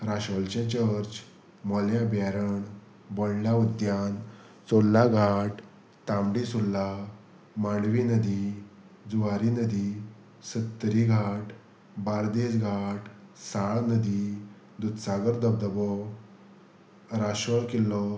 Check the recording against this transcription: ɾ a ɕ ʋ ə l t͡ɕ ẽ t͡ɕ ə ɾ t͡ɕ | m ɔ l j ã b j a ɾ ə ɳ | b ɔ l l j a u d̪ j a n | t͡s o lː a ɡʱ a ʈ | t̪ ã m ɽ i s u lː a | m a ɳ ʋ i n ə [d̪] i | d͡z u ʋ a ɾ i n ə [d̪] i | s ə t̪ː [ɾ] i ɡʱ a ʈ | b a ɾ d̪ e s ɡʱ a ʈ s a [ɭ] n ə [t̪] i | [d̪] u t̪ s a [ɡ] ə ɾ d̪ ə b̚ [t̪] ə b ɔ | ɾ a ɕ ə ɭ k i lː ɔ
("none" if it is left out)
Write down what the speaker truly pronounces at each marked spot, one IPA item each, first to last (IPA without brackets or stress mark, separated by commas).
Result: d̪, d̪, ɾ, ɭ, d̪, d̪, ɡ, d̪